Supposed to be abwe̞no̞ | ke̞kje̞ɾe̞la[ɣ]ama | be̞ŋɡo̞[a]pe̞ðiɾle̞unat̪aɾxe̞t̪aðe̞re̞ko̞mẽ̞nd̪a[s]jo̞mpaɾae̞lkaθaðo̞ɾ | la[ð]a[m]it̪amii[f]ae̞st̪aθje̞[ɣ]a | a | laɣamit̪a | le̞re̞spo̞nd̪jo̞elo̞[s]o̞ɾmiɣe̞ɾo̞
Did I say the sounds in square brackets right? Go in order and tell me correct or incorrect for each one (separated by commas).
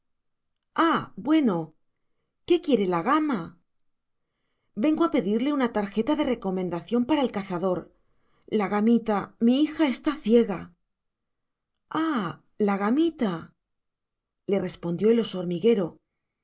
correct, correct, incorrect, incorrect, correct, incorrect, correct, correct